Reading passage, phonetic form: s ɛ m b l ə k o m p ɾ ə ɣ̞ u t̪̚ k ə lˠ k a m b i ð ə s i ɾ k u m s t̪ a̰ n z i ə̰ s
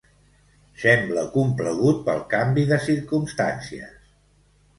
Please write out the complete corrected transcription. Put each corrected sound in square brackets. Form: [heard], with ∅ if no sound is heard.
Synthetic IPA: s ɛ m b l ə k [u] m p [l] ə ɣ̞ u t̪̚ [p] ə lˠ k a m b i ð ə s i ɾ k u m s t̪ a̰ n [s] i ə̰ s